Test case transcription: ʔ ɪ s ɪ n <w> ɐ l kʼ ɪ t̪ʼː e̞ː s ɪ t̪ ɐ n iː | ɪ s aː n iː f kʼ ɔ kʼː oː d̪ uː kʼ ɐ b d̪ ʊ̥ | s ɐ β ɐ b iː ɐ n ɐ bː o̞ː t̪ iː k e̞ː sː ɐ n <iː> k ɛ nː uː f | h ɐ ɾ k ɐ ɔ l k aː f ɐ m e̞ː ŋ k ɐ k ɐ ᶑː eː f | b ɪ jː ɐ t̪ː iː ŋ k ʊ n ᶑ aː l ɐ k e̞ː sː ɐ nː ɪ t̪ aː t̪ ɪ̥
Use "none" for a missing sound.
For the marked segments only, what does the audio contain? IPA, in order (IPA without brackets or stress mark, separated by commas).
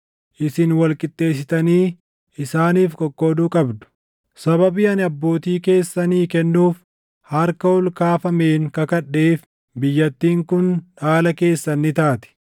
w, iː